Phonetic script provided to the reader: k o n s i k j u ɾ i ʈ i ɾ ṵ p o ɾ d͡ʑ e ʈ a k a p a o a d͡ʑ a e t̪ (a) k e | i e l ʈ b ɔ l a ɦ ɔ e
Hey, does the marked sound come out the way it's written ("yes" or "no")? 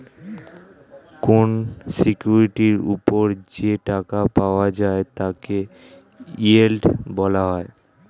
yes